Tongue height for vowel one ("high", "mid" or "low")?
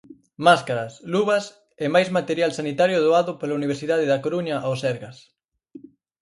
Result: low